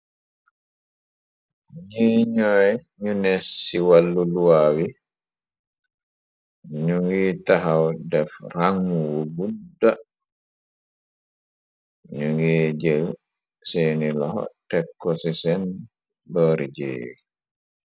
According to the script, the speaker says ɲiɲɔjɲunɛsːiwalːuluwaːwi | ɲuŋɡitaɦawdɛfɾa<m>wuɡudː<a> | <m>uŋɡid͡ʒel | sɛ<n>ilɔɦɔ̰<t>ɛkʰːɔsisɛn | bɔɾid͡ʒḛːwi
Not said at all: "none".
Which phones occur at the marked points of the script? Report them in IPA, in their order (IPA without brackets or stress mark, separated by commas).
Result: ŋ, a, ɲ, n, t